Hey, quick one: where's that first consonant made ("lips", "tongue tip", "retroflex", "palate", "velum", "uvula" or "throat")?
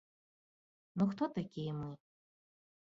tongue tip